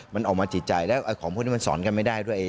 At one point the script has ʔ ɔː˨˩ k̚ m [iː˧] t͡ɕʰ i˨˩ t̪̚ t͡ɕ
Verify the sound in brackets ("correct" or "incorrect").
incorrect